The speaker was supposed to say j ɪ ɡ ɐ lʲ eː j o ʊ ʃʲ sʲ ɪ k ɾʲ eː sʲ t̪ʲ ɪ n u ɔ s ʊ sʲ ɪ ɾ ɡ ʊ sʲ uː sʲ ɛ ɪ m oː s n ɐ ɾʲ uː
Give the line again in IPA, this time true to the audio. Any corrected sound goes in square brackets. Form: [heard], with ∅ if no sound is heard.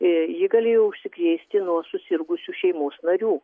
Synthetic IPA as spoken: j ɪ ɡ ɐ lʲ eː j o ʊ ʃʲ sʲ ɪ k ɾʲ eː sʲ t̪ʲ ɪ n u ɔ s ʊ sʲ ɪ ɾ ɡ ʊ sʲ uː [ʃʲ] ɛ ɪ m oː s n ɐ ɾʲ uː